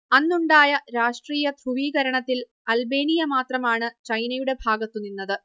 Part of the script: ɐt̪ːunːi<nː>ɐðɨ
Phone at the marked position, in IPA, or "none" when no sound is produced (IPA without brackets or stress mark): nː